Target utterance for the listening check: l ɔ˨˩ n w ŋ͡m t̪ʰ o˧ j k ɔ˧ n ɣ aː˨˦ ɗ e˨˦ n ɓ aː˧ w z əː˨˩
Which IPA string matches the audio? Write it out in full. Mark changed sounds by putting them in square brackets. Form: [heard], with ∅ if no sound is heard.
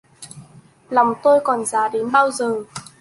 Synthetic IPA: l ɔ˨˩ [∅] w ŋ͡m [t̪] o˧ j k [ɔ˨˩] n [z] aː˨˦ ɗ e˨˦ n ɓ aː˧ w z əː˨˩